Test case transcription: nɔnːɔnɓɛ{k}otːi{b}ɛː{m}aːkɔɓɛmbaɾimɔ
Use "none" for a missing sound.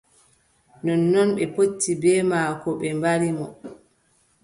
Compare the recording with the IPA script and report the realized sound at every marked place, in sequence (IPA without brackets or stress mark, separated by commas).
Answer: p, b, m